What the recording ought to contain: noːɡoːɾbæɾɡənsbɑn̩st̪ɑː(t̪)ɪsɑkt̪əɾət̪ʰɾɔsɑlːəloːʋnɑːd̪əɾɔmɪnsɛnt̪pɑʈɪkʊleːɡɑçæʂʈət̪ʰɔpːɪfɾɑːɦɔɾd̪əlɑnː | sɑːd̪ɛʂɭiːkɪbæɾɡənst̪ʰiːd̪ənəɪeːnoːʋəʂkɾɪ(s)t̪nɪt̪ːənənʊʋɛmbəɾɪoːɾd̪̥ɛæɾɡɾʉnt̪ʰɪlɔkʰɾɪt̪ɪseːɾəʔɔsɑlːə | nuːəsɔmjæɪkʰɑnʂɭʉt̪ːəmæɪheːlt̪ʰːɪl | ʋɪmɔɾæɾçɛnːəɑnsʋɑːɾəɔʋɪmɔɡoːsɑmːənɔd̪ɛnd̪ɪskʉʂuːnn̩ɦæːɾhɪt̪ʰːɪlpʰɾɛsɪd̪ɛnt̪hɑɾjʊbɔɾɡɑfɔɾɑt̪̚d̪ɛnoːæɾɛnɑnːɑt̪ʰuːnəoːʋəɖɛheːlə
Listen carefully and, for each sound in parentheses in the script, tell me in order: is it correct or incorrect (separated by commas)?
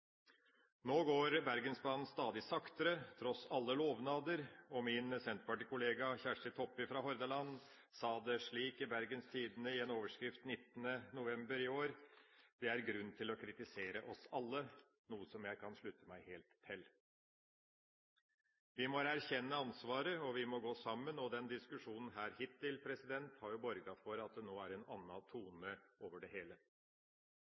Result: incorrect, incorrect